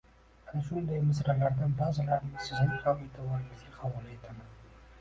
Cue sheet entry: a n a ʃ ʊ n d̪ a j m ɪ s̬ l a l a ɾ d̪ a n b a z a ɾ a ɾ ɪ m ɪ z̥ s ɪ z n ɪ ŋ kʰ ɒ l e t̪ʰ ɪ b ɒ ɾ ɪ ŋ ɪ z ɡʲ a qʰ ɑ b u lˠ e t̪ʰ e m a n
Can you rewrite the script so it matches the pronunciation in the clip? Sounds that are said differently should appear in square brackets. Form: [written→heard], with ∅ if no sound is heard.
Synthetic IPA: a n a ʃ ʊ n d̪ a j m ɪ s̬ [l→ɾ] a l a ɾ d̪ a n b a z a [ɾ→l] a ɾ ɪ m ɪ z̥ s ɪ z n ɪ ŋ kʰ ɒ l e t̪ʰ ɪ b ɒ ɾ ɪ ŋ ɪ z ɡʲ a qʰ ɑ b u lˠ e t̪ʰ [e→a] m a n